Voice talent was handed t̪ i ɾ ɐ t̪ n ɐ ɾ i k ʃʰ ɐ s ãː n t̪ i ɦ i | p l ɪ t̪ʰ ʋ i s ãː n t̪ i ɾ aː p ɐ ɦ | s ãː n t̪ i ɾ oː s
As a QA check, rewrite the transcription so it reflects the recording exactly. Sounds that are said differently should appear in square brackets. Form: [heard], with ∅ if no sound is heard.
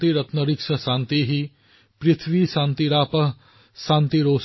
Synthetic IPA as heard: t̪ i ɾ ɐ t̪ n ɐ ɾ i k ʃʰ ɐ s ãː n t̪ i ɦ i | p [ɾ] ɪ t̪ʰ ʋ i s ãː n t̪ i ɾ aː p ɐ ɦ | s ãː n t̪ i ɾ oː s